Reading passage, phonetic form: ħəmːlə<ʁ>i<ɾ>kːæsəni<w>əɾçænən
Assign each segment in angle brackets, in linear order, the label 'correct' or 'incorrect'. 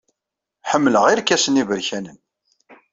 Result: correct, correct, incorrect: v

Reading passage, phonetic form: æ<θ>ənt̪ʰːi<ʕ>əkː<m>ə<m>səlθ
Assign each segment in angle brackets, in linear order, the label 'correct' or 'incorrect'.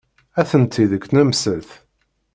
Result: correct, incorrect: ð, incorrect: n, correct

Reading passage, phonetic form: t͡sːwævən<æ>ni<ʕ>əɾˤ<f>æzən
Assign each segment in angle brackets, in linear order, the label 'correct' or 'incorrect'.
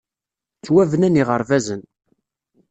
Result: correct, incorrect: ʁ, incorrect: v

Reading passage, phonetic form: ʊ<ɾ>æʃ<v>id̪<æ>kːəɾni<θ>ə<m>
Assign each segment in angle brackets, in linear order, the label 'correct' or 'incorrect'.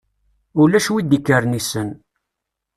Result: incorrect: l, incorrect: w, incorrect: i, incorrect: s, incorrect: n

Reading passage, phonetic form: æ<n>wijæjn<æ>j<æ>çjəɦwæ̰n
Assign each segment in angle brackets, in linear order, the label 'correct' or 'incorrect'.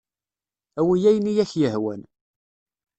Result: incorrect: none, incorrect: i, correct

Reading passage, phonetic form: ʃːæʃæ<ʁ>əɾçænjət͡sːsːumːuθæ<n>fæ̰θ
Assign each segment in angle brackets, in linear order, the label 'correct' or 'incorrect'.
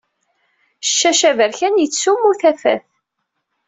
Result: incorrect: v, incorrect: none

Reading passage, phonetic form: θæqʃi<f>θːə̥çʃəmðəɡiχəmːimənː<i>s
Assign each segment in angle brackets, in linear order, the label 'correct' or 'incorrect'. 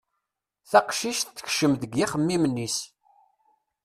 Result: incorrect: ʃ, correct

